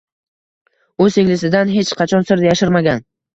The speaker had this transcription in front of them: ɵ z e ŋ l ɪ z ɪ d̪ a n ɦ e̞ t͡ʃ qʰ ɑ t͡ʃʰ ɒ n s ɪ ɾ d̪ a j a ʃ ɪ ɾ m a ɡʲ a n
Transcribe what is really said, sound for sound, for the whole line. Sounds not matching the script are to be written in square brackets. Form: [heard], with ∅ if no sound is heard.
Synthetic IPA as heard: ɵ z e ŋ l ɪ [s] ɪ d̪ a n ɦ e̞ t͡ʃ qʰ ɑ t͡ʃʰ ɒ n s ɪ ɾ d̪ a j a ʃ ɪ ɾ m a ɡʲ a n